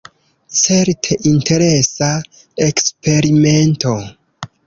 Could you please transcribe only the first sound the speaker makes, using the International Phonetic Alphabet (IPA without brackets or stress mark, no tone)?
t͡s